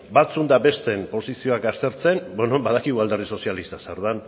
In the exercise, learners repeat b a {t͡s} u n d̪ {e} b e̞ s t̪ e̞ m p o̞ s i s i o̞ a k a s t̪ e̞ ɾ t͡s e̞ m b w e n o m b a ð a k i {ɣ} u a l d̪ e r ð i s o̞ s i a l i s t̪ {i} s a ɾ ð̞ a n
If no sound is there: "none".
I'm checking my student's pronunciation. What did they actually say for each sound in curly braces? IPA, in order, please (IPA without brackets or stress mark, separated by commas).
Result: t͡s, a, ɣ, a